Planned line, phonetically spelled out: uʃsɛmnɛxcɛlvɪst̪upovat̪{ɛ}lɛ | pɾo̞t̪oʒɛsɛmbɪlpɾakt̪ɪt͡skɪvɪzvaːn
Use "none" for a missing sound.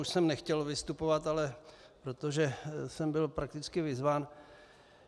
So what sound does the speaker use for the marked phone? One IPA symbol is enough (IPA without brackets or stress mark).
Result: a